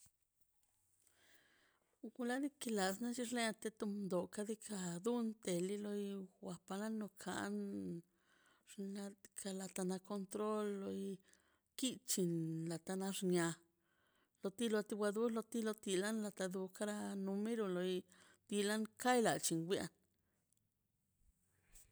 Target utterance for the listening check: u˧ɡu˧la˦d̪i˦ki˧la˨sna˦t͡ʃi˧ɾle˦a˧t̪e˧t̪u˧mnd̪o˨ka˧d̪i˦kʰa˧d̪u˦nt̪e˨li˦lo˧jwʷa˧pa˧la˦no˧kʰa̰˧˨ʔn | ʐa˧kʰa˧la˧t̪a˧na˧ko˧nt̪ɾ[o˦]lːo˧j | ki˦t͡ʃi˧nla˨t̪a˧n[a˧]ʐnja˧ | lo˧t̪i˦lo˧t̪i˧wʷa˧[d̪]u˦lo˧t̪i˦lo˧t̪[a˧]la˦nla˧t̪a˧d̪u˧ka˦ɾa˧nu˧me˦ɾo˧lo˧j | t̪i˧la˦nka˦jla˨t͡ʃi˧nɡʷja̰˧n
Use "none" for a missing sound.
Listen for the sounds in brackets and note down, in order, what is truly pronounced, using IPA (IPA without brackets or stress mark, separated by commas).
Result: o˦, a˧, d̪, i˧